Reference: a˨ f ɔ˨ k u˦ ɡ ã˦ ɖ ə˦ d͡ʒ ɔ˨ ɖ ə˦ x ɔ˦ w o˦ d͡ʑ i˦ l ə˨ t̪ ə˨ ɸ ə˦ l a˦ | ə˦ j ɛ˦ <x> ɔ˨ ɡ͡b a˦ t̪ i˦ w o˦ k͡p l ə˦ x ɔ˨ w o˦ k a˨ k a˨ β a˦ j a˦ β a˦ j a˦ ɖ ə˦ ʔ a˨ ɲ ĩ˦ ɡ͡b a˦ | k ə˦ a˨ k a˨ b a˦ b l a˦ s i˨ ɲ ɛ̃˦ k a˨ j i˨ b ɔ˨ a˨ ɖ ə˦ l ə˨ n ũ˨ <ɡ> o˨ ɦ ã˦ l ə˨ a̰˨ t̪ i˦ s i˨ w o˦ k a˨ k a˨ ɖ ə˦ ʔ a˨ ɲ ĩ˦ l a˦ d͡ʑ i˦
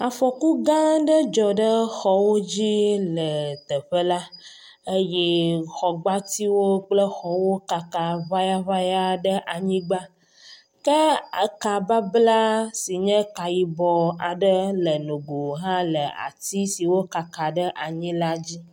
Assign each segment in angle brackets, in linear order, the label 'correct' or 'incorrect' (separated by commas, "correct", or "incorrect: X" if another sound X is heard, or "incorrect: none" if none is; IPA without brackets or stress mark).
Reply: correct, correct